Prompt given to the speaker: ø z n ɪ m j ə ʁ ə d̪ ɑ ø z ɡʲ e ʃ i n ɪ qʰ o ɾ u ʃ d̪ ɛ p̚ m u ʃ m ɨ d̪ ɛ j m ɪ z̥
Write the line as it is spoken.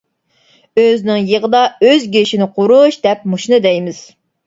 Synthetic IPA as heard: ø z n ɪ ŋ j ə ʁ ə d̪ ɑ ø z ɡʲ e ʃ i n ɪ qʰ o ɾ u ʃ d̪ ɛ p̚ m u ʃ n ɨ d̪ ɛ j m ɪ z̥